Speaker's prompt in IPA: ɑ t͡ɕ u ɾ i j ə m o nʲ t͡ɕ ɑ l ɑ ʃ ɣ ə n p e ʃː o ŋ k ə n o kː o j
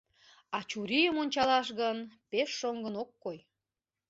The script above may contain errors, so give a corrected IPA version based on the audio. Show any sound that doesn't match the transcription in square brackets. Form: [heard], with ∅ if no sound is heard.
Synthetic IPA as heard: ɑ t͡ɕ u ɾ i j ə m o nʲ t͡ɕ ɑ l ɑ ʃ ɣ ə n p e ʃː o ŋ [ɡ] ə n o kː o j